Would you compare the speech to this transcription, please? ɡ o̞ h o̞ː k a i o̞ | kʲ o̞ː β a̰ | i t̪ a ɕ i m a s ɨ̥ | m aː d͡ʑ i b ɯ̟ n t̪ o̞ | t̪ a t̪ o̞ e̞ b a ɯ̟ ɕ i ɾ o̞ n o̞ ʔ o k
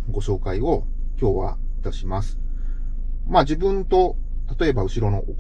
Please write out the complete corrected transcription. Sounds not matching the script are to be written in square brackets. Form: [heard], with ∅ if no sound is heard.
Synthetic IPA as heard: ɡ o̞ [ɕ] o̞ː k a i o̞ | kʲ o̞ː β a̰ | i t̪ a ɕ i m a s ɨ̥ | m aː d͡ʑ i b [ɯ̟̃] n t̪ o̞ | t̪ a t̪ o̞ e̞ b a ɯ̟ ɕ i ɾ o̞ n o̞ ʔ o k